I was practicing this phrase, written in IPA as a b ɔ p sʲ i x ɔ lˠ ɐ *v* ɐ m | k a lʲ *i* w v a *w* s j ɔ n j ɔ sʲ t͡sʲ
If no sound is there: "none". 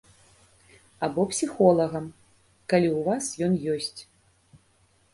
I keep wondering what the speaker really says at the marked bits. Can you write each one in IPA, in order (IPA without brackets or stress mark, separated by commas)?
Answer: ɣ, i, none